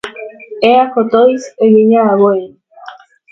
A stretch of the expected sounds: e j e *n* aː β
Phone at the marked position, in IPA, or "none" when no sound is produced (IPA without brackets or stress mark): ɲ